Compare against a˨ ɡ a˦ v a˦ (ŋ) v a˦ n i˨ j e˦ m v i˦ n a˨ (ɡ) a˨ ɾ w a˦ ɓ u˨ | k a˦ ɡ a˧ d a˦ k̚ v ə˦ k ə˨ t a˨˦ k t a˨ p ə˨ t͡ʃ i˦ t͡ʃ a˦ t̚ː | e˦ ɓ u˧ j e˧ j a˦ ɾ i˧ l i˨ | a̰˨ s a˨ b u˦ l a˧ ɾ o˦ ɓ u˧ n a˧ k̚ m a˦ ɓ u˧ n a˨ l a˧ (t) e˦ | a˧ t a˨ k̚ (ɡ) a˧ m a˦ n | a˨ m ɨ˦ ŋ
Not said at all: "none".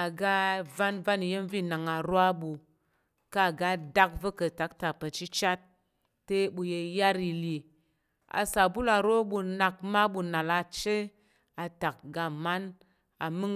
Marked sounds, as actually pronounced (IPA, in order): n, ŋ, t͡ʃ, ɡ

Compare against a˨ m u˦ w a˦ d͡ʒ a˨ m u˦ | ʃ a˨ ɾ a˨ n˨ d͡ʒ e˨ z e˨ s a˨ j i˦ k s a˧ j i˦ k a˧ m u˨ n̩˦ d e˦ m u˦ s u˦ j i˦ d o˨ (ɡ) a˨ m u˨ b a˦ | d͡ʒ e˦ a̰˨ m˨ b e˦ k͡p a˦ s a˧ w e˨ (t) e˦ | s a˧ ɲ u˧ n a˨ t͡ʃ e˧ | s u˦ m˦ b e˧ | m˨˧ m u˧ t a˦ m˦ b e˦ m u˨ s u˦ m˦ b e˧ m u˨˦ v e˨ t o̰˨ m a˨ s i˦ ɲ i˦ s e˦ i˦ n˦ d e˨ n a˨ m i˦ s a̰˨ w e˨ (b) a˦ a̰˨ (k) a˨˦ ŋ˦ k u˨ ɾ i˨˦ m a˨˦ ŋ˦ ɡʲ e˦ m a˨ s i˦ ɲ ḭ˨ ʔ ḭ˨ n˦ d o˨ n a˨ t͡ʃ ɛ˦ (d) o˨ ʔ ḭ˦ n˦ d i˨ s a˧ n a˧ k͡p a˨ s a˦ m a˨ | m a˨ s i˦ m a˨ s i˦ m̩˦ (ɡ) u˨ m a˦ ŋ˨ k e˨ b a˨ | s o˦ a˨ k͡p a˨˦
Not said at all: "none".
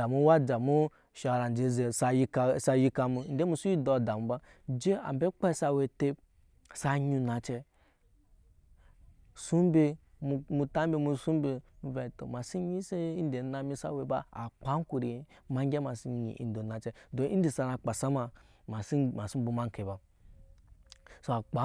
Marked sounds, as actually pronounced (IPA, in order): d, t, b, k͡p, d, b

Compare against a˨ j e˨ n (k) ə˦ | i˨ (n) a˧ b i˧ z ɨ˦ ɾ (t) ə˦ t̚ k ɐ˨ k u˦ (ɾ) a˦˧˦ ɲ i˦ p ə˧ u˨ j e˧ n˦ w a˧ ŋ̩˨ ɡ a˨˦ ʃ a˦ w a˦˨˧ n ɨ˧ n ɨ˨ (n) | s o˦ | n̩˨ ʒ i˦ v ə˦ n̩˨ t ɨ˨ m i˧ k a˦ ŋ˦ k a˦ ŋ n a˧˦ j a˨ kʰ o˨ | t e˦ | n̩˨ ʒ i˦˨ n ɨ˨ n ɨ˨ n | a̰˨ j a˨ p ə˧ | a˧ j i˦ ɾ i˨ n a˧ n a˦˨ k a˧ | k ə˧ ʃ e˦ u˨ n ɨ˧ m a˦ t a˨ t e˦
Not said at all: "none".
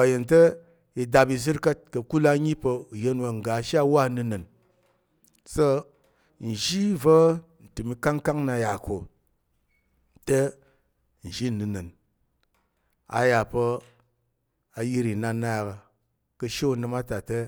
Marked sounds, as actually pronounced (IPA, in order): t, d, k, l, n

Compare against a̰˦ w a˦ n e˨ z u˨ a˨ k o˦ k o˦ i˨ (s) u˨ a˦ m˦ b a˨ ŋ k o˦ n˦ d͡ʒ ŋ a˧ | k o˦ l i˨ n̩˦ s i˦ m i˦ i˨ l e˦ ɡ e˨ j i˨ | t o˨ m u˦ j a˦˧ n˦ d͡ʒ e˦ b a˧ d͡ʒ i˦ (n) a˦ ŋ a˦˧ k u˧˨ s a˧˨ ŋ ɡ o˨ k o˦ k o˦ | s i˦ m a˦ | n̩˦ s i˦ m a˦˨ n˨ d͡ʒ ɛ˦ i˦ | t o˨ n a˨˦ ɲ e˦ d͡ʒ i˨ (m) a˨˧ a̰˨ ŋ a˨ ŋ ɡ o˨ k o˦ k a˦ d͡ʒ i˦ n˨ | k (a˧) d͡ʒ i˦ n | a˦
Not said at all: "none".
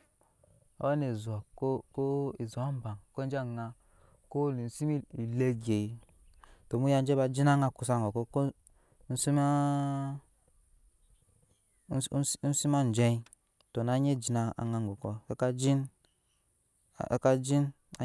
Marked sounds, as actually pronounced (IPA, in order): z, n, n, a˧

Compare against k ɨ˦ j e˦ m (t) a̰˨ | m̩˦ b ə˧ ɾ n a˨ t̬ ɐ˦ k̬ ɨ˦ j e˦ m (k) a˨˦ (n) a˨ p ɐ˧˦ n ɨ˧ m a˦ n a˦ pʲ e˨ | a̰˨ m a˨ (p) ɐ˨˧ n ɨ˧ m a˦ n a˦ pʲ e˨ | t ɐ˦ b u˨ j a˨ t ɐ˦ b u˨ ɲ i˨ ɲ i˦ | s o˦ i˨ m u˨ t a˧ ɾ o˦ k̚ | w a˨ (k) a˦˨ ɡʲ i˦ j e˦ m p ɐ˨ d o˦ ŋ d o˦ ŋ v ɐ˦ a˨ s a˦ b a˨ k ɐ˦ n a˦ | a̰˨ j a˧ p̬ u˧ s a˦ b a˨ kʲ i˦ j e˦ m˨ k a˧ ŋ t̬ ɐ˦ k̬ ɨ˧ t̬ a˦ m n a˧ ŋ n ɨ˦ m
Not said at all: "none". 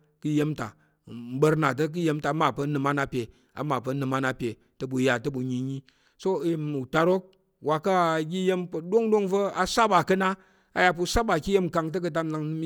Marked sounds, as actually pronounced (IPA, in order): t, t, m, p, k

